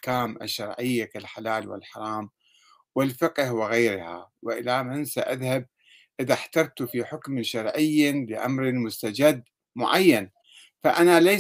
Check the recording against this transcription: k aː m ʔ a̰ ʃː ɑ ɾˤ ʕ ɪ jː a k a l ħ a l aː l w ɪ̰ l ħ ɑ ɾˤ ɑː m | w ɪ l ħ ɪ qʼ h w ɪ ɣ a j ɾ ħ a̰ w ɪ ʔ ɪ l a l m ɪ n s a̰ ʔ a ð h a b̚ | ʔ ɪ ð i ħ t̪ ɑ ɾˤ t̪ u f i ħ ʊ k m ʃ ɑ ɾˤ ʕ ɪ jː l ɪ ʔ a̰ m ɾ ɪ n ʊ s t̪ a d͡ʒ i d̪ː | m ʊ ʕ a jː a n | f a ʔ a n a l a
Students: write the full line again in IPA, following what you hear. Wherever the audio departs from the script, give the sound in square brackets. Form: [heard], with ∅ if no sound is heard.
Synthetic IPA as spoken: k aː m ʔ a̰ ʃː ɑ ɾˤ ʕ ɪ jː a k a l ħ a l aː l w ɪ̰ l ħ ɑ ɾˤ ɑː m | w ɪ l [f] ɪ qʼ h w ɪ ɣ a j ɾ [h] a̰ w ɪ ʔ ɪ l a [∅] m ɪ n s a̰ ʔ a ð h a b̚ | ʔ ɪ ð [a] ħ t̪ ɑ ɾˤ t̪ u f i ħ ʊ k m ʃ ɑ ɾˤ ʕ ɪ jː l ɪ ʔ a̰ m ɾ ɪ [m] ʊ s t̪ a d͡ʒ [a] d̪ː | m ʊ ʕ a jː a n | f a ʔ a n a l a